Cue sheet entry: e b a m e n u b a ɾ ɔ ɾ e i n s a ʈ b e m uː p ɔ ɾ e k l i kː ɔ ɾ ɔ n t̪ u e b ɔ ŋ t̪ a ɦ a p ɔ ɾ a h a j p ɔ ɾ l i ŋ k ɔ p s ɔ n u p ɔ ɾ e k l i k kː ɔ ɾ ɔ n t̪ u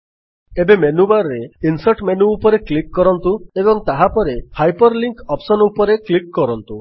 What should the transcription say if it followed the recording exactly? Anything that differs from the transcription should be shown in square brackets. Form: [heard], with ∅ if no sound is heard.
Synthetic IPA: e b [e] m e n u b a ɾ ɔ ɾ e i n s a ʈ [m] e [n] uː p ɔ ɾ e k l i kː ɔ ɾ ɔ n t̪ u e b ɔ ŋ t̪ a ɦ a p ɔ ɾ [e] h a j p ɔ ɾ l i ŋ k ɔ p s ɔ n u p ɔ ɾ e k l i k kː ɔ ɾ ɔ n t̪ u

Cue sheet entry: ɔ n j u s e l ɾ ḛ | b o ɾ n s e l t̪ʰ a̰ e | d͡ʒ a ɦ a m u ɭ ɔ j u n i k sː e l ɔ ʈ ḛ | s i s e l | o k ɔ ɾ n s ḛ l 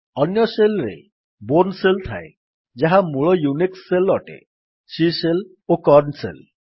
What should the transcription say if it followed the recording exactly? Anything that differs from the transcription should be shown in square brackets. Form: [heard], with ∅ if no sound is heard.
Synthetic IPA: ɔ n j [ɔ] s e l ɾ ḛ | b o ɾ n s e l t̪ʰ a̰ e | d͡ʒ a ɦ a m u ɭ ɔ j u n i k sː e l ɔ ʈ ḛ | s i s e l | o k ɔ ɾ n s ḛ l

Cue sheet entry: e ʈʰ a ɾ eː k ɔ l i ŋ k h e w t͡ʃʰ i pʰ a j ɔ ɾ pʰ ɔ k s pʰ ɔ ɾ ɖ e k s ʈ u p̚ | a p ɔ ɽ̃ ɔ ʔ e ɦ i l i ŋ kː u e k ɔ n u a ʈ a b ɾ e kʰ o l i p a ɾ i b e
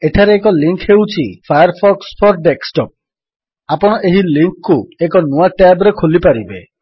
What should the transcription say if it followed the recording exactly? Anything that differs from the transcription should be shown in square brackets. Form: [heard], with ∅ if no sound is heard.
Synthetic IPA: e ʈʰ a ɾ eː k ɔ l i ŋ k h e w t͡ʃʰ i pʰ a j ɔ ɾ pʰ ɔ k s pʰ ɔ ɾ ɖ e k s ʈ [ɔ] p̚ | a p ɔ ɽ̃ ɔ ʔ e ɦ i l i ŋ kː u e k ɔ n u a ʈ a b ɾ e kʰ o l i p a ɾ i b e

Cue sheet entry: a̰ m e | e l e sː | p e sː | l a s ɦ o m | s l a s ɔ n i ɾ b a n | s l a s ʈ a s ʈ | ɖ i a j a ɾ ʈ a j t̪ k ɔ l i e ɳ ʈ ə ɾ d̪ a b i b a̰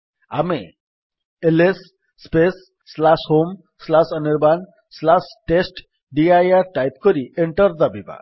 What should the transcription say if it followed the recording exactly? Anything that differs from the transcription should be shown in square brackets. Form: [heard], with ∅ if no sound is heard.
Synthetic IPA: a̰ m e | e l e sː | p e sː | l a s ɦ o m | s l a s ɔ n i ɾ b a n | s l a s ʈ [e] s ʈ | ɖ i a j a ɾ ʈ a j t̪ k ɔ [ɾ] i e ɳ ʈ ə ɾ d̪ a b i b a̰

